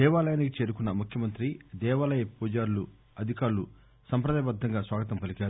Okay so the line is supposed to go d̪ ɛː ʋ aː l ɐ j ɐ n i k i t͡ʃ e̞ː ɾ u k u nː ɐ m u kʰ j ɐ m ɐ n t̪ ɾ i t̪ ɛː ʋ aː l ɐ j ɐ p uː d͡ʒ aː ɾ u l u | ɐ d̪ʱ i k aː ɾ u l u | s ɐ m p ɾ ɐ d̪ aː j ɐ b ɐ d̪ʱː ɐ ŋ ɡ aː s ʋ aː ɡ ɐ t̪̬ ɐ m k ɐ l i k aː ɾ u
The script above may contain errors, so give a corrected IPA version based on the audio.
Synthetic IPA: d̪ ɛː ʋ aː l ɐ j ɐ n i k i t͡ʃ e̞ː ɾ u k u nː ɐ m u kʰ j ɐ m ɐ n t̪ ɾ i d̪ ɛː ʋ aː l ɐ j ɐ p uː d͡ʒ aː ɾ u l u | ɐ d̪ʱ i k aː ɾ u l u | s ɐ m p ɾ ɐ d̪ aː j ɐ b ɐ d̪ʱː ɐ ŋ ɡ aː s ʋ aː ɡ ɐ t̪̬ ɐ m p ɐ l i k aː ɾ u